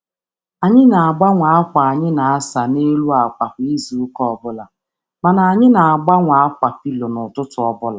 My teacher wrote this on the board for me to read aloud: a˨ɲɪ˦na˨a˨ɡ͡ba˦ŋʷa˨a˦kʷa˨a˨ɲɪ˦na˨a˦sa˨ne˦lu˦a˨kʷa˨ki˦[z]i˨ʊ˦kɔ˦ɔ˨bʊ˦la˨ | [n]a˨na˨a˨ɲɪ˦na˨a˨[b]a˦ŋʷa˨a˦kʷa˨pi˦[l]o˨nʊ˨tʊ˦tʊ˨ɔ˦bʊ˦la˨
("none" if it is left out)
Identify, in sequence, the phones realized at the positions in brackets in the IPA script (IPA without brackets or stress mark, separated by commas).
z, m, ɡ͡b, l